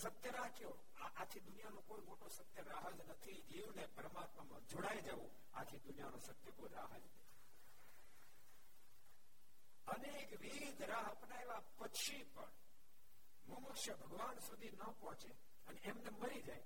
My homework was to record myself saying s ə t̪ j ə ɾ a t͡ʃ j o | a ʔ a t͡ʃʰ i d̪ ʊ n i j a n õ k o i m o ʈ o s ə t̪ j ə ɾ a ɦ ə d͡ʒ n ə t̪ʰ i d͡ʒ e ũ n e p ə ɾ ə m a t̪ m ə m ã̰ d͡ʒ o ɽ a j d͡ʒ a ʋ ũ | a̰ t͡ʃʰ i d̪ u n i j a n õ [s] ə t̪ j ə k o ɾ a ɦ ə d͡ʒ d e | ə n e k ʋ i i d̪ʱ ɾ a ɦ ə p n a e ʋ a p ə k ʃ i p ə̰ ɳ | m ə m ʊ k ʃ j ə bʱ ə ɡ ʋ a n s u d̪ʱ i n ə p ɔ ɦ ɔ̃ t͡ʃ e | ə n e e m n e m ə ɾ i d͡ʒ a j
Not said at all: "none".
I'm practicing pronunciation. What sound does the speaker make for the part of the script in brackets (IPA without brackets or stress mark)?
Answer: s